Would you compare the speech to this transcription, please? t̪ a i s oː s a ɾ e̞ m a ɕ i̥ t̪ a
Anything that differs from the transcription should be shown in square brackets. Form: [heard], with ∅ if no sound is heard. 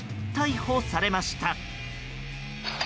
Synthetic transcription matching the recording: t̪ a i [h] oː s a ɾ e̞ m a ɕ i̥ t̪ a